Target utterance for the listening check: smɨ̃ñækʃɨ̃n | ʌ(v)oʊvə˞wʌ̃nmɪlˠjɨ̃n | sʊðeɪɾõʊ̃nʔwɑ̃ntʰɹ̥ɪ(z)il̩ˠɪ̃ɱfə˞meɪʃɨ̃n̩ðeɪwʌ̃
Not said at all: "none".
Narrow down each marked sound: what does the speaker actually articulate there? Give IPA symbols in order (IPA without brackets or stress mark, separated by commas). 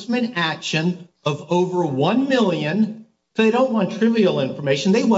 v, v